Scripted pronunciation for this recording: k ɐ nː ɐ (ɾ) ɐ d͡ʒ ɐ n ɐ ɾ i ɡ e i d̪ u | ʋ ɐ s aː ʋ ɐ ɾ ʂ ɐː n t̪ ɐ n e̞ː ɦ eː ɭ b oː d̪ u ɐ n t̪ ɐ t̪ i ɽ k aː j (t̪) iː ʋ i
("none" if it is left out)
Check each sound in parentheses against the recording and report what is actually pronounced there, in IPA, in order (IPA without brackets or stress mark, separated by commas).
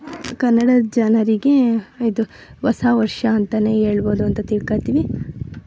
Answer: ɽ, t̪